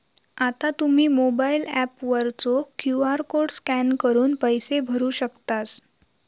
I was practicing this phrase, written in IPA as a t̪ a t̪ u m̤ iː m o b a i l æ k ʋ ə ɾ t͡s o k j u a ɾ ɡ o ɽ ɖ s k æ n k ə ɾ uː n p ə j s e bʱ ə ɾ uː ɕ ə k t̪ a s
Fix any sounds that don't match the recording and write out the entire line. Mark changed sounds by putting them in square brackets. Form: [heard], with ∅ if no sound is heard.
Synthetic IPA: a t̪ a t̪ u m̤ iː m o b a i l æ [p] ʋ ə ɾ t͡s o k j u a ɾ [k] o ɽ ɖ s k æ n k ə ɾ uː n p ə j s e bʱ ə ɾ uː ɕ ə k t̪ a s